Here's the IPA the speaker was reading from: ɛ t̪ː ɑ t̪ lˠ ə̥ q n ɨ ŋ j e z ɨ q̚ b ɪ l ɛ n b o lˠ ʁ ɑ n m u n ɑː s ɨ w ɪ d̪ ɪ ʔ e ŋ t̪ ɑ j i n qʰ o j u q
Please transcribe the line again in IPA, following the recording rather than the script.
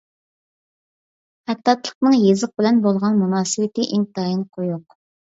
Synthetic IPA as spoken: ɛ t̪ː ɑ t̪ lˠ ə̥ q n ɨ ŋ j e z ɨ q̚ b ɪ l ɛ n b o lˠ ʁ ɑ n m u n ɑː s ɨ w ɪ t̪ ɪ ʔ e ŋ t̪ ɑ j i n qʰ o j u q